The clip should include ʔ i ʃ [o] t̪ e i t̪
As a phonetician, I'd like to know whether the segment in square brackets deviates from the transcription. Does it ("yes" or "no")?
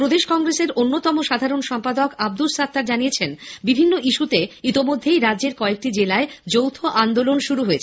yes